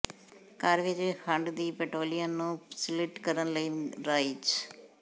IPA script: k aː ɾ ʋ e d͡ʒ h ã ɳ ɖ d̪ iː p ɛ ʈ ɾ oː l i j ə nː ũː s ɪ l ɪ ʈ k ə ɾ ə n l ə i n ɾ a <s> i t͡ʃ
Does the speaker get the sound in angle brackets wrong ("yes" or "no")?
yes